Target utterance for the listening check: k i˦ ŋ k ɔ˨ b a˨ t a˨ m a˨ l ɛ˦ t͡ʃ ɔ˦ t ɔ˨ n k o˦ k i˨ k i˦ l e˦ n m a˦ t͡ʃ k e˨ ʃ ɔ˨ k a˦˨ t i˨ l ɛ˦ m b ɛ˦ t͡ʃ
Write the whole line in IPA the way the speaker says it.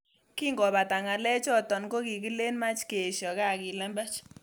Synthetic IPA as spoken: k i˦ ŋ ɡ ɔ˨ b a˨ t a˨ ŋ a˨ l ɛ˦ t͡ʃ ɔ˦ t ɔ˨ n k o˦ k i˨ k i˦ l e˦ n m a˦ t͡ʃ k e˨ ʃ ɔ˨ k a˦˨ k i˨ l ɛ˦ m b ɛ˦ t͡ʃ